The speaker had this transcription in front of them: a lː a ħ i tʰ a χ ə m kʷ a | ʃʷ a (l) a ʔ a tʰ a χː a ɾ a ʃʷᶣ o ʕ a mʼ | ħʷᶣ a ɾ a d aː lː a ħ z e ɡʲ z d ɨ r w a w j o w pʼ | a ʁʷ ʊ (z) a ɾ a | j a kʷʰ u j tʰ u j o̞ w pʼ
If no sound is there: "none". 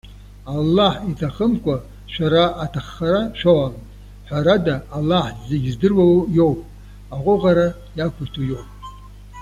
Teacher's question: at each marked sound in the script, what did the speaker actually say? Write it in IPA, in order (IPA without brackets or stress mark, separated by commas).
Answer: ɾ, ʁ